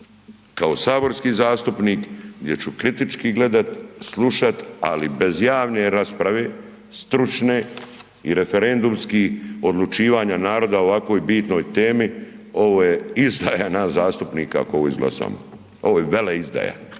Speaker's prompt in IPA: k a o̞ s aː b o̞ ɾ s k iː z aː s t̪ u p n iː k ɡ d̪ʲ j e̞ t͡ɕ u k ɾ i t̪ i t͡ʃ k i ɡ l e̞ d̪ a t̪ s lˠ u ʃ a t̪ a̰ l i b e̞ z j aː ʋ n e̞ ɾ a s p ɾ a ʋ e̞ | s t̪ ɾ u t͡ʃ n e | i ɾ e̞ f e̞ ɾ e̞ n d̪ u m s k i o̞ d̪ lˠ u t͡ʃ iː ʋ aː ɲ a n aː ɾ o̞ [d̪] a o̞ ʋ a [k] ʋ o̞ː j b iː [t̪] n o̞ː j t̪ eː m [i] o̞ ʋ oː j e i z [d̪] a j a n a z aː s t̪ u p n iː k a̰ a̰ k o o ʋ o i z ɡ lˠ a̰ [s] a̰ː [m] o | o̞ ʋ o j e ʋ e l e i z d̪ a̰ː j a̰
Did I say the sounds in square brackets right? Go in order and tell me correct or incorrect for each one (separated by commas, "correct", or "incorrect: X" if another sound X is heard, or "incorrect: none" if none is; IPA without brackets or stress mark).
correct, correct, correct, correct, correct, correct, correct